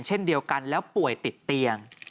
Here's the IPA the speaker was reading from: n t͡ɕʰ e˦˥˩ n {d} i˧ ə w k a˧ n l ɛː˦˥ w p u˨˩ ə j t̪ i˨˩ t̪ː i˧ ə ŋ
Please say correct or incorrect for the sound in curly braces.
correct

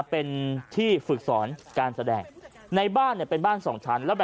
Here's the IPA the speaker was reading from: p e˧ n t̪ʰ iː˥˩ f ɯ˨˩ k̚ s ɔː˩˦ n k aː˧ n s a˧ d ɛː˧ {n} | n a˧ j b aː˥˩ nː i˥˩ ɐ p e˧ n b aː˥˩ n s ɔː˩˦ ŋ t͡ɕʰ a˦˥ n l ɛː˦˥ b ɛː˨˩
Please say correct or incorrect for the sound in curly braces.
incorrect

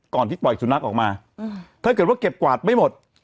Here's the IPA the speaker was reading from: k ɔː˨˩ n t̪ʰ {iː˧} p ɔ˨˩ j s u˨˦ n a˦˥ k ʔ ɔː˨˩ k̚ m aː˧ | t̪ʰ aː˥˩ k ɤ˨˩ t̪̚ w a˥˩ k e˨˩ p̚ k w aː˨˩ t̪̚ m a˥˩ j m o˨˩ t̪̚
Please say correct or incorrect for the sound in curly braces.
incorrect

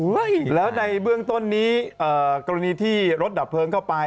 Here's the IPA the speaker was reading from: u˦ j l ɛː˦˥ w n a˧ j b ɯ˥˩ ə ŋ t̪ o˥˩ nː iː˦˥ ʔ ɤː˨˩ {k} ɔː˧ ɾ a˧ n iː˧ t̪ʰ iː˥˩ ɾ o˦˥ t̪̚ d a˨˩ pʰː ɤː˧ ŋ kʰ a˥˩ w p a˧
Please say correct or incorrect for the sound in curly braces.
correct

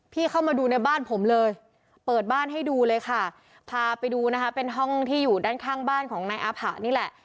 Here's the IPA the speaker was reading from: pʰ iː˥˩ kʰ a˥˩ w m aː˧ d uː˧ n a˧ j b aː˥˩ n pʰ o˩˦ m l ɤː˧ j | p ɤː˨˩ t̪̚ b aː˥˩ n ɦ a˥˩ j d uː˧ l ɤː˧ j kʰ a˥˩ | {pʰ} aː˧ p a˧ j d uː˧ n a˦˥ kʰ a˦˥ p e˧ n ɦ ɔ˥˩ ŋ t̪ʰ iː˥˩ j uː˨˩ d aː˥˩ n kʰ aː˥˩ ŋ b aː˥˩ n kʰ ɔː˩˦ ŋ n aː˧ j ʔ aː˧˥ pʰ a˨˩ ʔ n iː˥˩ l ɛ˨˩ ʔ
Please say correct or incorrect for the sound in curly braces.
correct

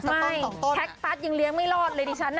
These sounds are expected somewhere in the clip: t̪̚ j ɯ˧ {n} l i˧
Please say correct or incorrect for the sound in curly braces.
incorrect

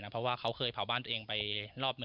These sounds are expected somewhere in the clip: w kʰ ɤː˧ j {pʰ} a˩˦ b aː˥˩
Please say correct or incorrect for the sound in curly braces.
correct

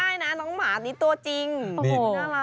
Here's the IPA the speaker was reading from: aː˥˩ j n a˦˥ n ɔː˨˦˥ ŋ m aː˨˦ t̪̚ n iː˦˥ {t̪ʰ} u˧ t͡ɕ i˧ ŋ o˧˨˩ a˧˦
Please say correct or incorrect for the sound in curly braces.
incorrect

